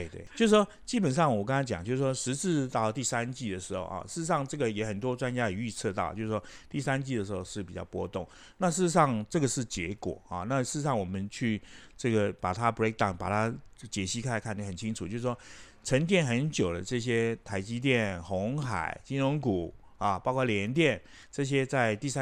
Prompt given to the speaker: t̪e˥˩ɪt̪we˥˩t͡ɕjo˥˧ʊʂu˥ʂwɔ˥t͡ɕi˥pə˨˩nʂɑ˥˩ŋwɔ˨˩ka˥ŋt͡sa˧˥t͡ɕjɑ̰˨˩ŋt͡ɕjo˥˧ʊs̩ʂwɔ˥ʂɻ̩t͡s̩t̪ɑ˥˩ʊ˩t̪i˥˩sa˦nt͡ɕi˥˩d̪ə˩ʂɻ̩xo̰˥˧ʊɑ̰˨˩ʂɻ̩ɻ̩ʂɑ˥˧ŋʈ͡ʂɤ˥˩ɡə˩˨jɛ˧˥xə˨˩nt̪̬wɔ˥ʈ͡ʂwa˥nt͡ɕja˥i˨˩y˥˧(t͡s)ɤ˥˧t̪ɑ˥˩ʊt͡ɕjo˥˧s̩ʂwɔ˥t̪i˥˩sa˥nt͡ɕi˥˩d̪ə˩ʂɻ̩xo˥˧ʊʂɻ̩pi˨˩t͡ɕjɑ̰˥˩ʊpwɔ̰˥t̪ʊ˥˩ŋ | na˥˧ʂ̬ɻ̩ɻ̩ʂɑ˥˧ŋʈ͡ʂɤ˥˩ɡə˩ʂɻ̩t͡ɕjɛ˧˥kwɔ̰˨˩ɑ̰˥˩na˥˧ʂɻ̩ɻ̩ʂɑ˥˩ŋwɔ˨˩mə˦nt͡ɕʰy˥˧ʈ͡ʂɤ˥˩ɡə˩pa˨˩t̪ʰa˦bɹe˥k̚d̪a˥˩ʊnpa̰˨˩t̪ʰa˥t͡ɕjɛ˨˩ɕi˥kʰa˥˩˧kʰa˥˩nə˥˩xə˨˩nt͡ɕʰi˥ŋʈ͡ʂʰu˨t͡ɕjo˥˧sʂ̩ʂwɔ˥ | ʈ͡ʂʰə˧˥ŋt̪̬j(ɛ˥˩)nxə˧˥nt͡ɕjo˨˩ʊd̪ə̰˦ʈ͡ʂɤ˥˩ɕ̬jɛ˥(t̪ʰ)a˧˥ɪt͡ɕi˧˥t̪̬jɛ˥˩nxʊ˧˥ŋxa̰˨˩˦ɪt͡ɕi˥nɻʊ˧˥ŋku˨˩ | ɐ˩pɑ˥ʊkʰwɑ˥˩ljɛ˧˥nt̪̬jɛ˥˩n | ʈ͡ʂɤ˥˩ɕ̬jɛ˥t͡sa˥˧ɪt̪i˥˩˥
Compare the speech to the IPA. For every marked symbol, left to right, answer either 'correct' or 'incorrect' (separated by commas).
incorrect, correct, correct